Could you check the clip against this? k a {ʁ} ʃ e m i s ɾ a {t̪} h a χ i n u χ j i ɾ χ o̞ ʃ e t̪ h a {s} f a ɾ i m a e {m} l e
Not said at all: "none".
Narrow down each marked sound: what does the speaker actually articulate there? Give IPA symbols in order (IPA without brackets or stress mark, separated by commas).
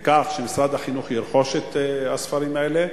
χ, d̪, s, none